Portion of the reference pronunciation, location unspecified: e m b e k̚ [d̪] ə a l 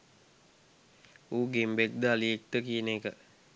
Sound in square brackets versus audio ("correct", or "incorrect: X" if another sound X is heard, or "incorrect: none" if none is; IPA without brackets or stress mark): correct